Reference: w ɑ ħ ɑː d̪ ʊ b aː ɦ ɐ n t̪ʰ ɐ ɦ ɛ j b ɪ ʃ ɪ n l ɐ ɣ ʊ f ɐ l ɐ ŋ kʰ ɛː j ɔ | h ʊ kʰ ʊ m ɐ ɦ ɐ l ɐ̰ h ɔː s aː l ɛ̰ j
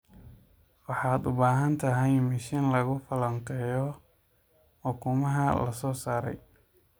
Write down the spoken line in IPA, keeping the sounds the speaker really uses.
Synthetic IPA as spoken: w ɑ ħ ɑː d̪ ʊ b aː ɦ ɐ n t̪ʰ ɐ ɦ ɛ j m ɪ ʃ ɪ n l ɐ ɣ ʊ f ɐ l ɐ ŋ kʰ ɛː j ɔ | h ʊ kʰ ʊ m ɐ ɦ ɐ l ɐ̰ s ɔː s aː ɾ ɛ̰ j